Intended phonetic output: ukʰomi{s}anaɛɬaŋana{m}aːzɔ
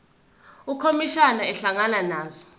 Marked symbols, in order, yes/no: no, no

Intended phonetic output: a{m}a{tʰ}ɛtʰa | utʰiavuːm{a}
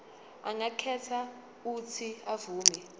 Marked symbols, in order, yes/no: no, no, no

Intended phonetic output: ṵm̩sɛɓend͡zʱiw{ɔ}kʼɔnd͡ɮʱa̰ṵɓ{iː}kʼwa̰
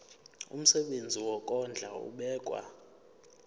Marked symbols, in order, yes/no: yes, no

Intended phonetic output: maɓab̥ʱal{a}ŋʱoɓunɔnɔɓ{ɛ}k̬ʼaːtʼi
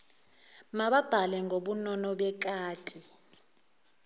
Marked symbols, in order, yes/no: no, yes

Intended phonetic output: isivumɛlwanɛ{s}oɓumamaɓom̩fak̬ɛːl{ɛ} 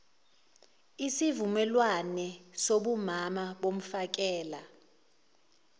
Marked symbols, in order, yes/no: yes, no

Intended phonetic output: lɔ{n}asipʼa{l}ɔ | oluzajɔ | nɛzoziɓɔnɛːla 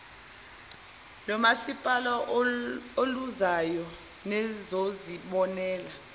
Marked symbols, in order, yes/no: no, yes

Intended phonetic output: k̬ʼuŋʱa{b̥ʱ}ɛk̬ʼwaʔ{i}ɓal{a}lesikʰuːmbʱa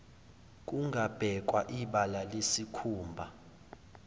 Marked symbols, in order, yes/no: yes, yes, yes

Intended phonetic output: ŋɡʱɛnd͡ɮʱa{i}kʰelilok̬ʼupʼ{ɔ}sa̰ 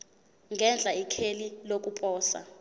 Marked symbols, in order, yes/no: yes, no

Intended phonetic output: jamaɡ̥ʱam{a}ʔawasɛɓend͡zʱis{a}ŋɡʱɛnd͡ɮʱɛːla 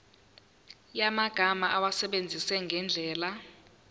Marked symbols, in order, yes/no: yes, no

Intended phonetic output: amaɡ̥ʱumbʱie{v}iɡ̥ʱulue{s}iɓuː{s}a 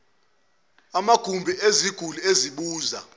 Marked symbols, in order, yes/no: no, no, no

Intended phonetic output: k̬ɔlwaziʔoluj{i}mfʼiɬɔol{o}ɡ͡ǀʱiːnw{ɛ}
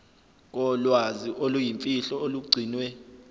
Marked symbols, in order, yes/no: yes, no, yes

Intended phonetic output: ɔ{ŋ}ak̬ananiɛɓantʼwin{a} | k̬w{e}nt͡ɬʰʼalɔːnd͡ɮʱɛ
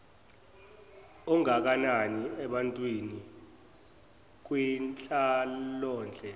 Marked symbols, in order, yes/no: yes, no, no

